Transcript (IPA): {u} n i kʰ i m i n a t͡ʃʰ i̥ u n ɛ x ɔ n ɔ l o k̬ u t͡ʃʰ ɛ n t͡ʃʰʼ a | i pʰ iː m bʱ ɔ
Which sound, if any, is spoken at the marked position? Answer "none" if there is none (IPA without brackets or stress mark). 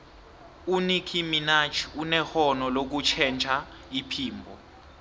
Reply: u